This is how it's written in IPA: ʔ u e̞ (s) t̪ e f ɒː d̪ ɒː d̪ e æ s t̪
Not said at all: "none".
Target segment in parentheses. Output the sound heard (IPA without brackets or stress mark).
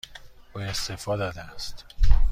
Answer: s